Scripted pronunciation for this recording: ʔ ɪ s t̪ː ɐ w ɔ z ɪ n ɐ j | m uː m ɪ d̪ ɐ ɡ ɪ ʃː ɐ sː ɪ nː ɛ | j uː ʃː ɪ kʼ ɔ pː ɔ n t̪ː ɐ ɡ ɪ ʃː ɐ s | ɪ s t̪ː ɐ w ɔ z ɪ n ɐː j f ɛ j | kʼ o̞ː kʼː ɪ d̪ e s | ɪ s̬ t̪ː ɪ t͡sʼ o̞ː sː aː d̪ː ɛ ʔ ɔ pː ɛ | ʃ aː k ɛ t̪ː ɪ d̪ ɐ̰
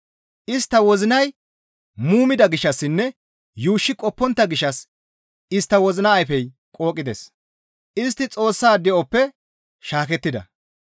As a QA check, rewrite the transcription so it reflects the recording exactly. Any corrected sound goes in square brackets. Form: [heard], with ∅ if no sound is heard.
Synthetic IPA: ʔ ɪ s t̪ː ɐ w ɔ z ɪ n ɐ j | m uː m ɪ d̪ ɐ ɡ ɪ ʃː ɐ sː ɪ nː ɛ | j uː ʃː ɪ kʼ ɔ pː ɔ n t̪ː ɐ ɡ ɪ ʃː ɐ s | ɪ s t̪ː ɐ w ɔ z ɪ n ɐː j f ɛ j | kʼ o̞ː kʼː ɪ d̪ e s | ɪ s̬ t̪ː ɪ t͡sʼ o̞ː sː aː [d̪] ɛ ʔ ɔ pː ɛ | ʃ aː k ɛ t̪ː ɪ d̪ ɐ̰